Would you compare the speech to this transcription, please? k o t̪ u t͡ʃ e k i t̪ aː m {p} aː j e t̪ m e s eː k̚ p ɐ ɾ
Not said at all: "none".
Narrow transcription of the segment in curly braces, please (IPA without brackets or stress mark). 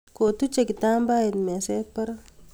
b